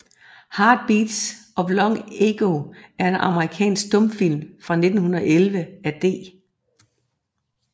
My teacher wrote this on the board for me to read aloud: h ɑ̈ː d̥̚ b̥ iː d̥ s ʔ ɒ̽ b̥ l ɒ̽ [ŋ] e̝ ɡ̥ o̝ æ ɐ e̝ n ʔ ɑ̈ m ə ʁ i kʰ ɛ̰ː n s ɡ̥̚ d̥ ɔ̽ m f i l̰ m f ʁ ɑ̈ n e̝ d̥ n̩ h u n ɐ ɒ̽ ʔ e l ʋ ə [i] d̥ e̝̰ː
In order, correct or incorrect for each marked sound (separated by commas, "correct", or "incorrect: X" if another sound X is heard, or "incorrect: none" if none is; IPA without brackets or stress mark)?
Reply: correct, incorrect: æ